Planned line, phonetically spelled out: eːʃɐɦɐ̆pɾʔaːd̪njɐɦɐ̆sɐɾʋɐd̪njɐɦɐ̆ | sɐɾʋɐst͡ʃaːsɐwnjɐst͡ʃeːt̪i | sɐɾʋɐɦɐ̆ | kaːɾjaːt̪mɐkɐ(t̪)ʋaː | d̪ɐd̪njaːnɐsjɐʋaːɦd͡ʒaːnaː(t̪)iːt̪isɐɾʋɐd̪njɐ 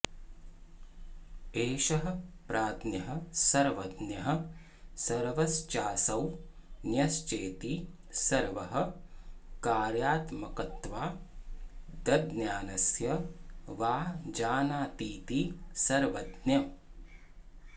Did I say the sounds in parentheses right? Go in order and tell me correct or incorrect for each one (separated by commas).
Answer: correct, correct